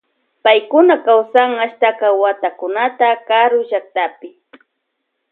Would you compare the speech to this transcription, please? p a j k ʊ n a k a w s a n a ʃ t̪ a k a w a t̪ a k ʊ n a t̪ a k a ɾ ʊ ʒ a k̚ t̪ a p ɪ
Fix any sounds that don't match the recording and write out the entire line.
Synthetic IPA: p a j k ʊ n a k a w s a ŋ a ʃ t̪ a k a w a t̪ a k ʊ n a t̪ a k a ɾ ʊ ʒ a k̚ t̪ a p ɪ

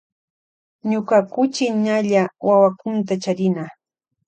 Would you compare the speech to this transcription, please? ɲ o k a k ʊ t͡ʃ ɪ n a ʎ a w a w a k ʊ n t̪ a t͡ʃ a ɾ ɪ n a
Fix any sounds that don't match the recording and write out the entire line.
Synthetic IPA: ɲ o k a k ʊ t͡ʃ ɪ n a ʎ a w a w a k ʊ n t̪ a t͡ʃ a ɾ ɪ n a

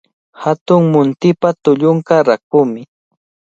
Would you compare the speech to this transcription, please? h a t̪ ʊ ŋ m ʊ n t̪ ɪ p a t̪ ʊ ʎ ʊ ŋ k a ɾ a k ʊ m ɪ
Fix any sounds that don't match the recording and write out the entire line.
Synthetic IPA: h a t̪ ʊ ŋ m ʊ n t̪ ɪ p a t̪ ʊ ʎ ʊ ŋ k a ɾ a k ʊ m ɪ

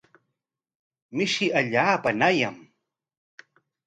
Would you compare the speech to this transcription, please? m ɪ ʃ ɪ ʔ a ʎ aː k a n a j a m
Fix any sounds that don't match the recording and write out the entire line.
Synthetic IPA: m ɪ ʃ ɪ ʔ a ʎ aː p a n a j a m

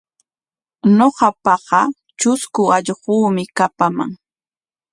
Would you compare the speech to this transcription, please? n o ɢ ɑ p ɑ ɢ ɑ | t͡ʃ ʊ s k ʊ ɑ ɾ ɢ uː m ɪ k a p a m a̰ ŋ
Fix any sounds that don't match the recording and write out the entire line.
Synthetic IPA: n o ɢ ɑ p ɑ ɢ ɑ | t͡ʃ ʊ s k ʊ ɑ ʎ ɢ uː m ɪ k a p a m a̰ ŋ

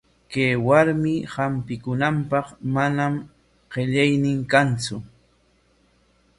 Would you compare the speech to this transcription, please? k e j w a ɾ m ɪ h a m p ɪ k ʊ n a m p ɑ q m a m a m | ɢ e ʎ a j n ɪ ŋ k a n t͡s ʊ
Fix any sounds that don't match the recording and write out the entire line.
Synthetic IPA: k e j w a ɾ m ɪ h a m p ɪ k ʊ n a m p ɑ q m a n a m | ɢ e ʎ a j n ɪ ŋ k a n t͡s ʊ

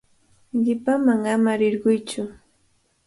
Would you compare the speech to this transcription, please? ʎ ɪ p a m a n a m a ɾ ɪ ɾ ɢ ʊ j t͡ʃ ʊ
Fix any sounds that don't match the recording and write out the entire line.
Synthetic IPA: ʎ ɪ p a m a ŋ a m a ɾ ɪ ɾ ɢ ʊ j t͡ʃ ʊ

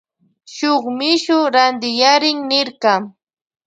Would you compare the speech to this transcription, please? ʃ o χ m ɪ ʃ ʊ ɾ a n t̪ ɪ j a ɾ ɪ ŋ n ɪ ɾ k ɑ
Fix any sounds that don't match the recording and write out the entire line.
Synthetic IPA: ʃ o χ m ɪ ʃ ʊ ɾ a n d̪ ɪ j a ɾ ɪ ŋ n ɪ ɾ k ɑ

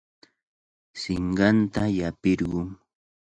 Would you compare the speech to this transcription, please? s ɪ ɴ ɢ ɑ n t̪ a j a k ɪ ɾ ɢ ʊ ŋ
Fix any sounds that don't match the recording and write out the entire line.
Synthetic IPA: s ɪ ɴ ɢ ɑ n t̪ a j a p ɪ ɾ ɢ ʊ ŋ

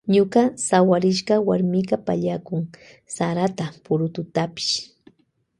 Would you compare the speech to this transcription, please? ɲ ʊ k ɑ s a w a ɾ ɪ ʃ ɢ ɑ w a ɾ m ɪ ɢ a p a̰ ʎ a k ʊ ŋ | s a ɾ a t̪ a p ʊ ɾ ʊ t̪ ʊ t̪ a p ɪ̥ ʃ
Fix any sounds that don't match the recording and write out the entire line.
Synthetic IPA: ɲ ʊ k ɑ s a w a ɾ ɪ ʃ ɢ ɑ w a ɾ m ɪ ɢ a p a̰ ʎ a k ʊ ŋ | s a ɾ a t̪ a p ʊ ɾ ʊ t̪ ʊ t̪ a p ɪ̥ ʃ

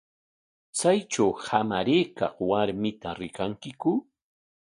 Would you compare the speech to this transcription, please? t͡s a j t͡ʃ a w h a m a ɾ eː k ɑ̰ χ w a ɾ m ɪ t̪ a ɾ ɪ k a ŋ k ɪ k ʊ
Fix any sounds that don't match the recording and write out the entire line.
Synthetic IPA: t͡s a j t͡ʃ a w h a m a ɾ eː k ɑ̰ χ w a ɾ m ɪ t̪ a ɾ ɪ k a ŋ k ɪ k ʊ

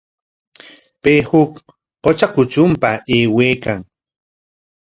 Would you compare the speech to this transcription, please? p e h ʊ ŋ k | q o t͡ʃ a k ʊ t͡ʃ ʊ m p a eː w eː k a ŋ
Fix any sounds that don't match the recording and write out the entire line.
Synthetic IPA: p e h ʊ k | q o t͡ʃ a k ʊ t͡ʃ ʊ m p a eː w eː k a ŋ

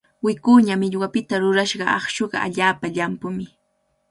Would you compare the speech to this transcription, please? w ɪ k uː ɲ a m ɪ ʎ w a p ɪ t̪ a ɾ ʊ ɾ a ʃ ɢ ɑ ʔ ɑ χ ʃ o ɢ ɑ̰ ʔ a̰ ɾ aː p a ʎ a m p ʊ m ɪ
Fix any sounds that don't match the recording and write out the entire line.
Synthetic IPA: w ɪ k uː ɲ a m ɪ ʎ w a p ɪ t̪ a ɾ ʊ ɾ a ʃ ɢ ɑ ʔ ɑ χ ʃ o ɢ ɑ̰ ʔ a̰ ʎ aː p a ʎ a m p ʊ m ɪ

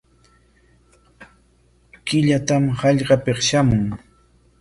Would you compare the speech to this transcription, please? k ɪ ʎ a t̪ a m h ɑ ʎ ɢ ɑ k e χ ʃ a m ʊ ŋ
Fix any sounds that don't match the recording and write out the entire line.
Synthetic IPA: k ɪ ʎ a t̪ a m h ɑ ʎ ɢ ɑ p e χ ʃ a m ʊ ŋ

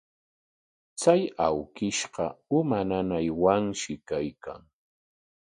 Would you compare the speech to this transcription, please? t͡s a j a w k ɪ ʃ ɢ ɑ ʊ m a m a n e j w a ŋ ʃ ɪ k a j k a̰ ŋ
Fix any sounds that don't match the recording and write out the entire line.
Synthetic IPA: t͡s a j a w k ɪ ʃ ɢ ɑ ʊ m a n a n a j w a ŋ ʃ ɪ k a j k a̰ ŋ

